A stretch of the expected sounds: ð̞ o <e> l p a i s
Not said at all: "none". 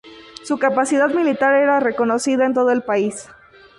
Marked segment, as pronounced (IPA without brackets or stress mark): e